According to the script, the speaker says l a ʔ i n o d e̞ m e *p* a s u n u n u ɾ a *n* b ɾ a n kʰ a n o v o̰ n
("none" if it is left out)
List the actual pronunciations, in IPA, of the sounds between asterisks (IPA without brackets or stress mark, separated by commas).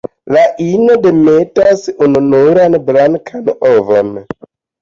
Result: t, n